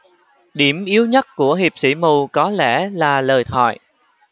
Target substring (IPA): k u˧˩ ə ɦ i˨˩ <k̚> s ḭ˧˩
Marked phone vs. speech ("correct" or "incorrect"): incorrect